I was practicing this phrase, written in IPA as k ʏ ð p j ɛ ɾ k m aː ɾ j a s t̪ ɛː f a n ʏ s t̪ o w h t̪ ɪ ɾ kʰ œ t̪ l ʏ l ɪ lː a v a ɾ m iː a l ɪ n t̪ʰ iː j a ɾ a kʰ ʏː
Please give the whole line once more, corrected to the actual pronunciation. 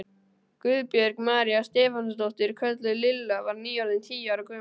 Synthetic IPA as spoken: k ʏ ð p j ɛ ɾ k m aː ɾ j a s t̪ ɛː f a n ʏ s t̪ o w h t̪ ɪ ɾ kʰ œ t̪ l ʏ l ɪ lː a v a ɾ n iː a l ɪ n t̪ʰ iː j a ɾ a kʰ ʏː

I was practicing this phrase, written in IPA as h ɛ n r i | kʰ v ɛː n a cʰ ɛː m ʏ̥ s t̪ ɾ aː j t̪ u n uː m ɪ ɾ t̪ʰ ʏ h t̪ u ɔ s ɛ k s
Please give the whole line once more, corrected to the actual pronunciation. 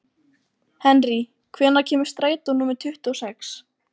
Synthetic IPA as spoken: h ɛ n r i | kʰ v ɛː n a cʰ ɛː m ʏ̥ s t̪ ɾ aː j t̪ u n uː m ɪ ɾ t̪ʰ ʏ h t̪ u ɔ s ɛ k s

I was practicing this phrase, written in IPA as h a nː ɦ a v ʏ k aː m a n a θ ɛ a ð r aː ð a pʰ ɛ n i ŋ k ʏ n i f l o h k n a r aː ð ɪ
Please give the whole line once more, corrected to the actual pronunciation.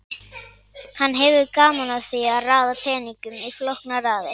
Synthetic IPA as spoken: h a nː ɦ ɛ v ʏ k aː m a n a θ i a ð r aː ð a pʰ ɛː n i ŋ k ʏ m i f l o h k n a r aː ð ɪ

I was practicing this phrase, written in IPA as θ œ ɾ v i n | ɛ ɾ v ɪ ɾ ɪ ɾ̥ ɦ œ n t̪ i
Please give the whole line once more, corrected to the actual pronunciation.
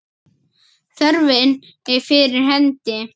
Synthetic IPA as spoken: θ œ ɾ v ɪ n | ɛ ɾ f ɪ ɾ ɪ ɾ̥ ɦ ɛ n t̪ ɪ

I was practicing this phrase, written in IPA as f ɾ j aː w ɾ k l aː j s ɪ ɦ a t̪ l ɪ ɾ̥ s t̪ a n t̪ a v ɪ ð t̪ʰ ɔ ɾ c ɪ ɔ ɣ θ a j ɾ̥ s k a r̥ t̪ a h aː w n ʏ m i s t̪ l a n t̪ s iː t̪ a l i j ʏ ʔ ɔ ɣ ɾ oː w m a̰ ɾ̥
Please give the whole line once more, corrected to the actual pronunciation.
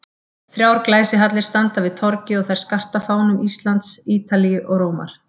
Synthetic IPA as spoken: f ɾ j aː w ɾ k l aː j s ɪ ɦ a t̪ l ɪ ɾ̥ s t̪ a n t̪ a v ɪ ð t̪ʰ ɔ ɾ c ɪ ɔ ɣ θ a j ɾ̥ s k a r̥ t̪ a f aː w n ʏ m i s t̪ l a n t̪ s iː t̪ a l i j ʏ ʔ ɔ ɣ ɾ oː w m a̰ ɾ̥

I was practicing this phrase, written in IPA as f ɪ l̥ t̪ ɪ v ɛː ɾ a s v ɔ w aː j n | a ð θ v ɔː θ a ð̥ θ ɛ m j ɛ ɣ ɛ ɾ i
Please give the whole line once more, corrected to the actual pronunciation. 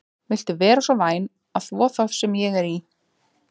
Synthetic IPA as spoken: v ɪ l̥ t̪ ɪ v ɛː ɾ a s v ɔ v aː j n | a ð θ v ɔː θ a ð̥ s ɛ m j ɛ ɣ ɛ ɾ i

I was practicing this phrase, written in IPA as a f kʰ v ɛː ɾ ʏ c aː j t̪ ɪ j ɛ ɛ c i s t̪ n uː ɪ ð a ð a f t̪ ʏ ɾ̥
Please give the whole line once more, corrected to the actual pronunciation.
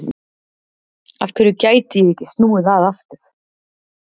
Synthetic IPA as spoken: a f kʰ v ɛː ɾ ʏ c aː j t̪ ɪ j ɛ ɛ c ɪ s t̪ n uː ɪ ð a ð a f t̪ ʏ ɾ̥

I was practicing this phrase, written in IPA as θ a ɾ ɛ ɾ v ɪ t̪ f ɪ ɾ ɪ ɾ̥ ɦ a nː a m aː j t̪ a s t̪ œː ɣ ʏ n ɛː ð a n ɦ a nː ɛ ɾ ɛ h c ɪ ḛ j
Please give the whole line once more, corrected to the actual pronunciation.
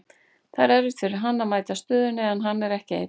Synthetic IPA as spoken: θ a ɾ ɛ ɾ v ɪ t̪ f ɪ ɾ ɪ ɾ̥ ɦ a nː a m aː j t̪ a s t̪ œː ð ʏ n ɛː ð a n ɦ a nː ɛ ɾ ɛ h c ɪ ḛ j

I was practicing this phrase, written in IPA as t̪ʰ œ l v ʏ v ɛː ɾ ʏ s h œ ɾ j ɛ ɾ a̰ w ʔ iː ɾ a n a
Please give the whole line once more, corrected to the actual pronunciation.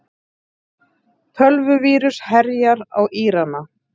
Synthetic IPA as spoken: t̪ʰ œ l v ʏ v iː ɾ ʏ s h ɛ ɾ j a ɾ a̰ w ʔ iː ɾ a n a

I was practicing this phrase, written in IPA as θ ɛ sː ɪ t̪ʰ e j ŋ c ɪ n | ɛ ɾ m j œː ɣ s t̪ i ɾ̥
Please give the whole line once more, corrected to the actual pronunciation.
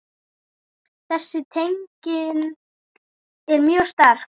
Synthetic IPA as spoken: θ ɛ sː ɪ t̪ʰ e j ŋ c ɪ n | ɛ ɾ m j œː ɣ s t̪ a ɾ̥

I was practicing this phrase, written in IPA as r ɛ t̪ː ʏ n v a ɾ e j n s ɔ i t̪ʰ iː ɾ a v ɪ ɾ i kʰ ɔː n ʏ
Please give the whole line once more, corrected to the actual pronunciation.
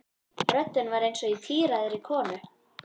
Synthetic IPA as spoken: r œ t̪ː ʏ n v a ɾ e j n s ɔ i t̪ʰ iː ɾ a ð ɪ ɾ i kʰ ɔː n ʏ

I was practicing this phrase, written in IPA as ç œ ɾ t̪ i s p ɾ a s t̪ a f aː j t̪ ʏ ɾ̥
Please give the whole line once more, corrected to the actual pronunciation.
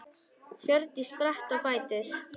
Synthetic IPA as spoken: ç œ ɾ t̪ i s p ɾ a h t̪ a f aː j t̪ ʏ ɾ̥

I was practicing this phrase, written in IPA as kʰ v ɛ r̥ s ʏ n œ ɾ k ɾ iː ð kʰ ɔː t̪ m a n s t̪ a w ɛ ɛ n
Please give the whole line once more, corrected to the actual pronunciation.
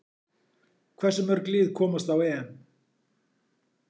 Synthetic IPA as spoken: kʰ v ɛ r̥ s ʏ m œ ɾ k l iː ð kʰ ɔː m a s t̪ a w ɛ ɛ n

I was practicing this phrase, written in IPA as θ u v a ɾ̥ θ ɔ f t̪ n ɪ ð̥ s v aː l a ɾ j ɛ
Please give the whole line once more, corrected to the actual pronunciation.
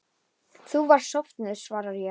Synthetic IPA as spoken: θ u v a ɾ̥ s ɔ f t̪ n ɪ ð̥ s v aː ɾ a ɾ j ɛ

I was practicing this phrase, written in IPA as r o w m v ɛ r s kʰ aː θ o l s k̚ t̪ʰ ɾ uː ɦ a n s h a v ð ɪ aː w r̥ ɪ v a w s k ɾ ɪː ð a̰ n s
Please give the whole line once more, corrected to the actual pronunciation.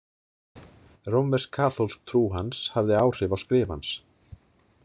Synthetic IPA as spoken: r o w m v ɛ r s kʰ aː θ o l s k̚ t̪ʰ ɾ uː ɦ a n s h a v ð ɪ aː w r̥ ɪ v a w s k ɾ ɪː v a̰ n s

